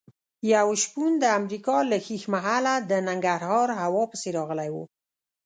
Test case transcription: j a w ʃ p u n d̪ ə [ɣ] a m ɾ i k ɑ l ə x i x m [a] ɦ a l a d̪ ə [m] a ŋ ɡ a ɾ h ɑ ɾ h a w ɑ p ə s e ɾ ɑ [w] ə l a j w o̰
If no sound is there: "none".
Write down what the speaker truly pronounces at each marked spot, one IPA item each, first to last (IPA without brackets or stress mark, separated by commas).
none, a, n, ɣ